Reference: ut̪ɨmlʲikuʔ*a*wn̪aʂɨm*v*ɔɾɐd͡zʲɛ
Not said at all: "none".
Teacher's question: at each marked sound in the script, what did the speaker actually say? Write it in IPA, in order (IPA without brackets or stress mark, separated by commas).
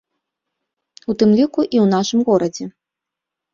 i, ɣ